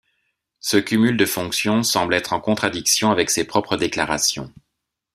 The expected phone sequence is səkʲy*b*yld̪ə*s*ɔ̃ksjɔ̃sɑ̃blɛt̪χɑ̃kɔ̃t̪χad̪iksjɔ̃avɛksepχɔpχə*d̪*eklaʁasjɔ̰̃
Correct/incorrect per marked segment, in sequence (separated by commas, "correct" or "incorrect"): incorrect, incorrect, correct